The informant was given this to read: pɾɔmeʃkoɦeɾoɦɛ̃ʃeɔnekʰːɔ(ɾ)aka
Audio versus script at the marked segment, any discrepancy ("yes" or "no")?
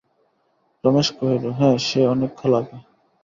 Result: yes